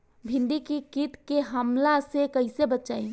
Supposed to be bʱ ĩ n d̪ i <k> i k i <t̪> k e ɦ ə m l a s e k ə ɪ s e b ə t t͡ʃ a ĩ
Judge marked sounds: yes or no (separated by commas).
yes, yes